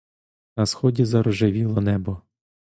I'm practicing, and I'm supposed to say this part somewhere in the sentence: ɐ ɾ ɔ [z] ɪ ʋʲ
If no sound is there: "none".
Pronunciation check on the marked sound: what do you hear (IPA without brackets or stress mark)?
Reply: ʒ